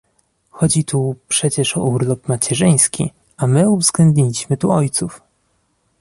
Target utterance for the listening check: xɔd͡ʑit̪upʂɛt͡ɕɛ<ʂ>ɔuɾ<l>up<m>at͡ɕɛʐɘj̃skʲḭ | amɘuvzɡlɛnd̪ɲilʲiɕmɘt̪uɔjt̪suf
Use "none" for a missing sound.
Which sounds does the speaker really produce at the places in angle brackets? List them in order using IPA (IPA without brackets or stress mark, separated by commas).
ʂ, l, m